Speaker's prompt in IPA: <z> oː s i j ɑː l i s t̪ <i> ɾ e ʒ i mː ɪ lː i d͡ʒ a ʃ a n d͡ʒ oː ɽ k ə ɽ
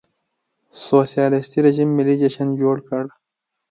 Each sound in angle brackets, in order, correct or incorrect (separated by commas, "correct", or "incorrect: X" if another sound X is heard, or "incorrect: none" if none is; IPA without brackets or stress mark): incorrect: s, correct